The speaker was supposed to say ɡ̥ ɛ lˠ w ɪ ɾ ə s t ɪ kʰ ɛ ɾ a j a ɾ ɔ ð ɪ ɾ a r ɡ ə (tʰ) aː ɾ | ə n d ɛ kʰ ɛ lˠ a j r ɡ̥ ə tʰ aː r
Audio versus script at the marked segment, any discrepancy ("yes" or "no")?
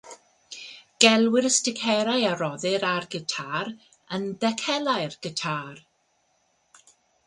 no